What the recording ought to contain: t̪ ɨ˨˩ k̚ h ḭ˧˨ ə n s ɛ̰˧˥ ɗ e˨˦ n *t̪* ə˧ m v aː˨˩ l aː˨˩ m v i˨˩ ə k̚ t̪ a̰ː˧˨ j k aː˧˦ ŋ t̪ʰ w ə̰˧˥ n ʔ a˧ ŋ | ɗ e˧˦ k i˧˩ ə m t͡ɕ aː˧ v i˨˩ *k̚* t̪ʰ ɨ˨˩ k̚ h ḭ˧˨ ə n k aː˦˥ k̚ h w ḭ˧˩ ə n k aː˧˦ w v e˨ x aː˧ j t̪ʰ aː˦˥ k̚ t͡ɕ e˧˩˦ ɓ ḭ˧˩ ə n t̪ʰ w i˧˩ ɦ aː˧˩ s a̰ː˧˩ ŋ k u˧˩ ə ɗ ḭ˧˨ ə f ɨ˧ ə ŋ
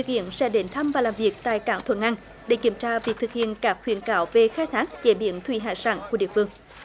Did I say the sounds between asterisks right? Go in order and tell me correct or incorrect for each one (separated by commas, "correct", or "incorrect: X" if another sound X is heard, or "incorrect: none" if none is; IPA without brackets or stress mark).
incorrect: t̪ʰ, correct